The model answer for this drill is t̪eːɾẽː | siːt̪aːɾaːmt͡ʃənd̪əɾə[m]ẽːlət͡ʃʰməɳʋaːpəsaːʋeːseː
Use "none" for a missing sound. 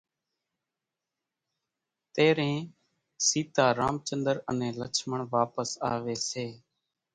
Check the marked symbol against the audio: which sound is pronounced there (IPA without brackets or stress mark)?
n